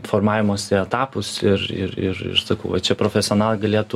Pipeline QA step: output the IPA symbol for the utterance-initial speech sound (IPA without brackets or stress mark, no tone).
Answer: f